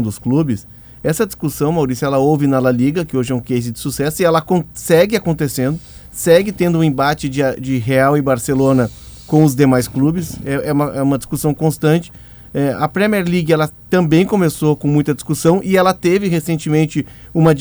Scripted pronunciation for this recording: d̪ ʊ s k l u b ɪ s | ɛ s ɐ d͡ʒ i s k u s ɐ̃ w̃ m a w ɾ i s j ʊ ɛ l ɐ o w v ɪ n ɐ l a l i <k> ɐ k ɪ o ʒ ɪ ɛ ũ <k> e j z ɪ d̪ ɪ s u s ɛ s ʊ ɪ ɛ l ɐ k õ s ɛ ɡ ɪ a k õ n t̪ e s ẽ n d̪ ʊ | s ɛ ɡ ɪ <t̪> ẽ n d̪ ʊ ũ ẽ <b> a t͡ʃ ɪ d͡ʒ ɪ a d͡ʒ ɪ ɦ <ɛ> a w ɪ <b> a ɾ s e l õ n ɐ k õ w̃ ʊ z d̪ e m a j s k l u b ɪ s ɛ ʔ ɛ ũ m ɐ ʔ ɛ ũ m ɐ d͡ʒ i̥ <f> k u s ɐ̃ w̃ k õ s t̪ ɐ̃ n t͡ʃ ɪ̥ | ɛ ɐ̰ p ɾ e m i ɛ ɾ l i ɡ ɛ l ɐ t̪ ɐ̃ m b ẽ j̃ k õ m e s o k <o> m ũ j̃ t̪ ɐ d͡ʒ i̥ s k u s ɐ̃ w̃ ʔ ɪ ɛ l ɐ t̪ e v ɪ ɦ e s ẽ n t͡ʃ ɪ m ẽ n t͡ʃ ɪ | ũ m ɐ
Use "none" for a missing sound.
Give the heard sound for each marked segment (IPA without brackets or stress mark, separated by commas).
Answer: ɡ, k, t̪, b, e, b, s, õ